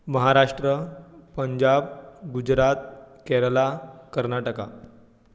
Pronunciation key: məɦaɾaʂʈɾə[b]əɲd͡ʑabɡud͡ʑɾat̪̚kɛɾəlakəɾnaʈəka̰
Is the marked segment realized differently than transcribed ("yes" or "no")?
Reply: yes